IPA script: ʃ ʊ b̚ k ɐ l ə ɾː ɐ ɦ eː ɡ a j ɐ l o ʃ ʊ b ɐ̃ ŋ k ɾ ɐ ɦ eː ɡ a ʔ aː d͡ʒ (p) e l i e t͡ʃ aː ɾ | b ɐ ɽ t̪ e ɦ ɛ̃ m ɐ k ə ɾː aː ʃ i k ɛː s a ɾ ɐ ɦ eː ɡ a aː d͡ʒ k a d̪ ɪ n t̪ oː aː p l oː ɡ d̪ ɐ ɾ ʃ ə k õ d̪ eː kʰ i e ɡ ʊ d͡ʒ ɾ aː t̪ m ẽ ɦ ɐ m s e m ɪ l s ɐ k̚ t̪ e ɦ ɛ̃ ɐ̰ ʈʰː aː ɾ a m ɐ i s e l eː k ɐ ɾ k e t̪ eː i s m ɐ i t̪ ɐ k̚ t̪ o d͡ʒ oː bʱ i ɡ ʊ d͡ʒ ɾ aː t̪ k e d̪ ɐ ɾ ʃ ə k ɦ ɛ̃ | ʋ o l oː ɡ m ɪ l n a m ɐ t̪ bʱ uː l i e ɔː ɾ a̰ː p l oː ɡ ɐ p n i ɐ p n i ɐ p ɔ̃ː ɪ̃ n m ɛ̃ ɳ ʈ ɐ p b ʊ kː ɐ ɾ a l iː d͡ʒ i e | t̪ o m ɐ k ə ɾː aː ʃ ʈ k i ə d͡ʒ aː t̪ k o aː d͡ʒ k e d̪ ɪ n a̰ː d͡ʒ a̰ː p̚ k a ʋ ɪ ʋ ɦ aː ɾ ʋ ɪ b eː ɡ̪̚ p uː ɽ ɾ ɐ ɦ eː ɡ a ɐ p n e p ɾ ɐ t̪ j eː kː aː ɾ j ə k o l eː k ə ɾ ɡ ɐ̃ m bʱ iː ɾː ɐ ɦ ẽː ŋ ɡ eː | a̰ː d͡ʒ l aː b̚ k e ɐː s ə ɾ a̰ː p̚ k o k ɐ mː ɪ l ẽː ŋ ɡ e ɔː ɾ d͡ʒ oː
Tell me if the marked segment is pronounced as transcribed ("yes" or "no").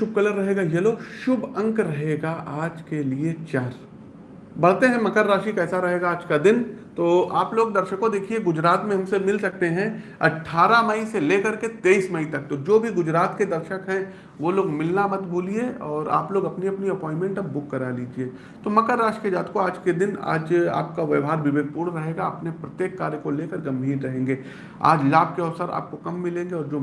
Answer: no